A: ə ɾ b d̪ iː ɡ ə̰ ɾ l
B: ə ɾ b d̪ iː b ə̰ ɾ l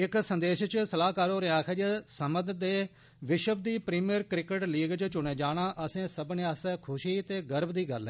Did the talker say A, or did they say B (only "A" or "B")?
A